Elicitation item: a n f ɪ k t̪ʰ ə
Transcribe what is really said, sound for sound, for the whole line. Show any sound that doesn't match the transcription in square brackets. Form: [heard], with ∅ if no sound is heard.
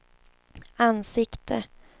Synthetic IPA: a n [s] ɪ k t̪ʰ ə